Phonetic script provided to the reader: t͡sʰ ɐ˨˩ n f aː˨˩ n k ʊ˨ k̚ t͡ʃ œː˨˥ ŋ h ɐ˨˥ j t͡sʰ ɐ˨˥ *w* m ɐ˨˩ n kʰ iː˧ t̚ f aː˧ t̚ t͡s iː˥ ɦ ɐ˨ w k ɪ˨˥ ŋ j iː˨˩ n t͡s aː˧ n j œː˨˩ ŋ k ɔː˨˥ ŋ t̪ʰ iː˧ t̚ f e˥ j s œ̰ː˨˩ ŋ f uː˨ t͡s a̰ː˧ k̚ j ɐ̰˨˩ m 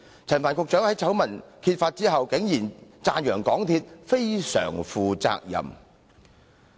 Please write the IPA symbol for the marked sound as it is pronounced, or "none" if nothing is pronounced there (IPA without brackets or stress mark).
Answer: w